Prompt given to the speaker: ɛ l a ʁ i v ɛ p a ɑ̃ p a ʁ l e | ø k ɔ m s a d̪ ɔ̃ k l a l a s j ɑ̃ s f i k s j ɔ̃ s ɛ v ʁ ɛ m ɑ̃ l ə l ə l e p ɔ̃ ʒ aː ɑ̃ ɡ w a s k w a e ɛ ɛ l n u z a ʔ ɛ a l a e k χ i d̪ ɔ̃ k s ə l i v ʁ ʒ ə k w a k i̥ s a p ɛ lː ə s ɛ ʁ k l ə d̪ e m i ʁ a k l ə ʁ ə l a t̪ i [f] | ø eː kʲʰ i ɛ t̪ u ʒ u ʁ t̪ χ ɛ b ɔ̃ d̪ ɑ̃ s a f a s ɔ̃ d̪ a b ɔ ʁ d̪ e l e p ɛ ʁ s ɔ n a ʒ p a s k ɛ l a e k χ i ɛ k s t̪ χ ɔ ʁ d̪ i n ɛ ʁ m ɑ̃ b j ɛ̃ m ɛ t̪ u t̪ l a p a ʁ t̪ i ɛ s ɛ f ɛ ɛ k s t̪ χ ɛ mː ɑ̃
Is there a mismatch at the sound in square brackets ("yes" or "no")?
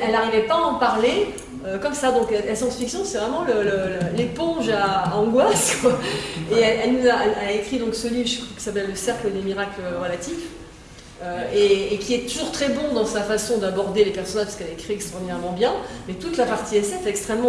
no